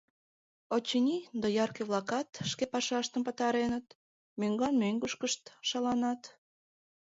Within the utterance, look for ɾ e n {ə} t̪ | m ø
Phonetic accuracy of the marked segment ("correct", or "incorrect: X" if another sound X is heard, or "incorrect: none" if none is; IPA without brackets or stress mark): correct